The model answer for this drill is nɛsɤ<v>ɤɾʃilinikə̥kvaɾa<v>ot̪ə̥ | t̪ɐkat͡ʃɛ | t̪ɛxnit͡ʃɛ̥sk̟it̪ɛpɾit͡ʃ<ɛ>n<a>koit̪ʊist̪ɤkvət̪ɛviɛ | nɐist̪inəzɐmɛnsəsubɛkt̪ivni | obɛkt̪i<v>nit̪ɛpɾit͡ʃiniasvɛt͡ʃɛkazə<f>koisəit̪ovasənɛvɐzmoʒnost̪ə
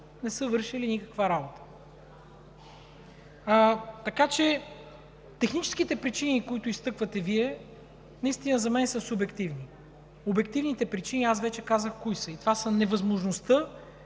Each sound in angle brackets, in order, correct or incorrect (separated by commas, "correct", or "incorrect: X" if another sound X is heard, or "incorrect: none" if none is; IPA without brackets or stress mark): correct, incorrect: b, incorrect: i, incorrect: i, correct, incorrect: x